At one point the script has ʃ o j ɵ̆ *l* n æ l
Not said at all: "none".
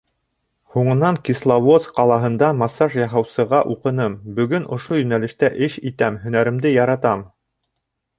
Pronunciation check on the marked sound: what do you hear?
none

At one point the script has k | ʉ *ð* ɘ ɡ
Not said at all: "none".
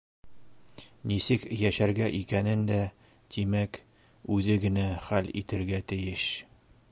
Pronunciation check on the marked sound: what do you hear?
ð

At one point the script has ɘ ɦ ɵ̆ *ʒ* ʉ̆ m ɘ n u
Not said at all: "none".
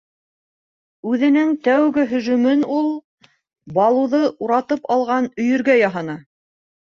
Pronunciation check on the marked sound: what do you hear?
ʒ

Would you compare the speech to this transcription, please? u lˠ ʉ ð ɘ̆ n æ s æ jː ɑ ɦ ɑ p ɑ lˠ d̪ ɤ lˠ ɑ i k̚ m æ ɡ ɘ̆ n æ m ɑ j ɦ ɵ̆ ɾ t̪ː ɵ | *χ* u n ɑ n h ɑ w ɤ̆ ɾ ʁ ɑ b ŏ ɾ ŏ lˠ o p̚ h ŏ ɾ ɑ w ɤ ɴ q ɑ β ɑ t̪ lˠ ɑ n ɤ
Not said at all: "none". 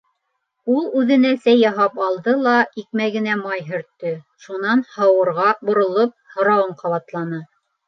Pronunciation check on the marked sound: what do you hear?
ʃ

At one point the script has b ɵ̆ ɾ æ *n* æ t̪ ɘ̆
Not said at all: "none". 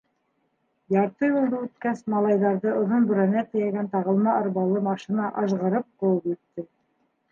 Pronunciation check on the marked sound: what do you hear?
n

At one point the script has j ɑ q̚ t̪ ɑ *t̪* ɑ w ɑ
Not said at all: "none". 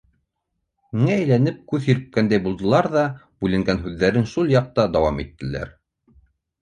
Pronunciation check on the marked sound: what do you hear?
d̪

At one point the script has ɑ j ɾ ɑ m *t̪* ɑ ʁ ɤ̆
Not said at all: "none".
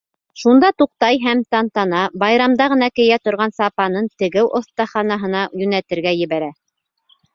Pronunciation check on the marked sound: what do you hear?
d̪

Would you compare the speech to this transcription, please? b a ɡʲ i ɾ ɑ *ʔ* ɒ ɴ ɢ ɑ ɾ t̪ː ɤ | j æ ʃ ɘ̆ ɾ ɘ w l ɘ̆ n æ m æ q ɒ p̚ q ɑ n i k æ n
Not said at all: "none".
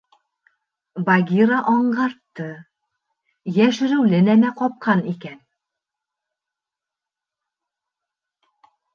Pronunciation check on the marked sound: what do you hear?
ʔ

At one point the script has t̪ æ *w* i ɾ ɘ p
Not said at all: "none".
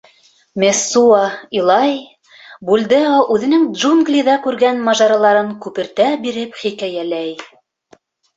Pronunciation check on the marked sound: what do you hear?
b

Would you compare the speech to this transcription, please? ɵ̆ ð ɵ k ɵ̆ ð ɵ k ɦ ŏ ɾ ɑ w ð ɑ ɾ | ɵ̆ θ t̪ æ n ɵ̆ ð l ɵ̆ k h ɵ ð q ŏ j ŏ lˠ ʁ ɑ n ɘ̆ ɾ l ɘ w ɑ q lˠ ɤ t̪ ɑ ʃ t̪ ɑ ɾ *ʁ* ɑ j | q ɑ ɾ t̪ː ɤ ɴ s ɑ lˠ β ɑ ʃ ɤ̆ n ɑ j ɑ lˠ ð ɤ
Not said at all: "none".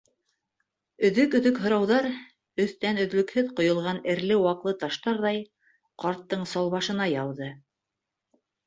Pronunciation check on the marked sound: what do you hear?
ð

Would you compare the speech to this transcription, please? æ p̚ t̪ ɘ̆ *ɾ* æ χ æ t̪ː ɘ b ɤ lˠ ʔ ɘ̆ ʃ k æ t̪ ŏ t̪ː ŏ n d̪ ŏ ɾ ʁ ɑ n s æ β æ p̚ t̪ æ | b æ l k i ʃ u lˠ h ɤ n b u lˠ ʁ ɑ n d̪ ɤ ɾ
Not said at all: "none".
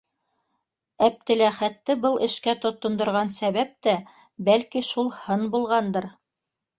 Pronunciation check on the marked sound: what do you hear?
l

